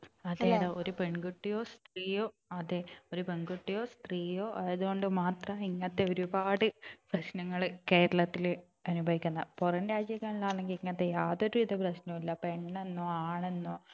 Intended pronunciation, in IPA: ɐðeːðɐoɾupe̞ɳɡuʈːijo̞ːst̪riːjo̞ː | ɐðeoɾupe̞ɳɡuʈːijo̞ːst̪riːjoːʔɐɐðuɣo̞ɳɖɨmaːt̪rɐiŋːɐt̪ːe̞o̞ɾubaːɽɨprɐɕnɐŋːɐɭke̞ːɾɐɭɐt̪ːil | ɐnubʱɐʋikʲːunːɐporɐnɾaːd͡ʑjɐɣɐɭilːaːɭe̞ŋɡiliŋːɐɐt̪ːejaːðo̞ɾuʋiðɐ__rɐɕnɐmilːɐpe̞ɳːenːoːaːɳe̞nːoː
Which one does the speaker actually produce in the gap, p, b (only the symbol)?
p